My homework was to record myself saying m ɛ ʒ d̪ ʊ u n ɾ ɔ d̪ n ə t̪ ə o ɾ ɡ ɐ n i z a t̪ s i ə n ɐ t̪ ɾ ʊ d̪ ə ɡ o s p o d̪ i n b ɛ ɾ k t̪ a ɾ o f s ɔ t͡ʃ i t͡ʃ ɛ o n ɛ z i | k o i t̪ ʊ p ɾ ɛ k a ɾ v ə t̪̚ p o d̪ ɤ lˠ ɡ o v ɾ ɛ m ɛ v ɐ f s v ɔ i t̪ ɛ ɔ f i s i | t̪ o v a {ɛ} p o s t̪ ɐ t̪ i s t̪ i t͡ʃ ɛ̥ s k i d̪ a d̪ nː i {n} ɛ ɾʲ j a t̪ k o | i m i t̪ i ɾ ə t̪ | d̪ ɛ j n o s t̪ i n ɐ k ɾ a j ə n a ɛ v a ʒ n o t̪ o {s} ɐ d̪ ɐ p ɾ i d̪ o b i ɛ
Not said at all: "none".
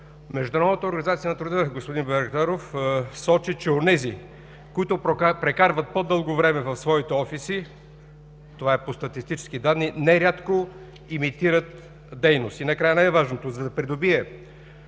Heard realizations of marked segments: ɛ, n, z

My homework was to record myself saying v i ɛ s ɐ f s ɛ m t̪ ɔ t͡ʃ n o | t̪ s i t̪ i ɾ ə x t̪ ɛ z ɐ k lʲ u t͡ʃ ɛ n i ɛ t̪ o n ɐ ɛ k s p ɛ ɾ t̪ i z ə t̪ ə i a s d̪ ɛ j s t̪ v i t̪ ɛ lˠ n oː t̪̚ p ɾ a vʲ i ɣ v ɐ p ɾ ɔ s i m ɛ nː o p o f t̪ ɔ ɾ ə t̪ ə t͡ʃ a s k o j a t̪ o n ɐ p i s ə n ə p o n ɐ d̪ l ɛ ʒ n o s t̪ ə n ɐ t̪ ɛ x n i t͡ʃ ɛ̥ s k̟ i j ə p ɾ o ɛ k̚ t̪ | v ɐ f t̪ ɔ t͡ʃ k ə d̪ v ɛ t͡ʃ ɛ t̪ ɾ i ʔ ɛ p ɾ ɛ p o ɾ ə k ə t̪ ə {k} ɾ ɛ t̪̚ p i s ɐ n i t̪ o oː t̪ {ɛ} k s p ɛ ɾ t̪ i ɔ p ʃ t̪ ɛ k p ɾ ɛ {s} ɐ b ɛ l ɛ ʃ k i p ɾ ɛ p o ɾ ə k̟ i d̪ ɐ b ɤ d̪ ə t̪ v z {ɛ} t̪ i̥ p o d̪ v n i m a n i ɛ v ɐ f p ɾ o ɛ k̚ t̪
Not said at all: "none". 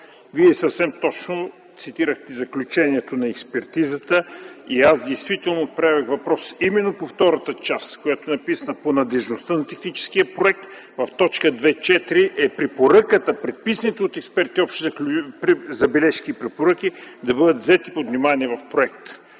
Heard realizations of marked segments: p, ɛ, z, ɛ

